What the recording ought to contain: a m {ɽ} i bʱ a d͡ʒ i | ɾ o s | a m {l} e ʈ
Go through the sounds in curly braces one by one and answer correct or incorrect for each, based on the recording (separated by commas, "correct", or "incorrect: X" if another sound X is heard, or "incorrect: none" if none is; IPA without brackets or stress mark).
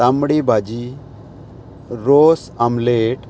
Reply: correct, correct